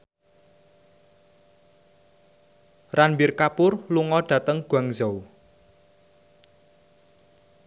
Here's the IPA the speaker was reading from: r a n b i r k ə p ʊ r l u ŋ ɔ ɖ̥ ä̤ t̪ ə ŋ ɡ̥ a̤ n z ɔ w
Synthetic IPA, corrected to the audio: r a n b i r k a p ʊ r l u ŋ ɔ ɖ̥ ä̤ t̪ ə ŋ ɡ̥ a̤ ŋ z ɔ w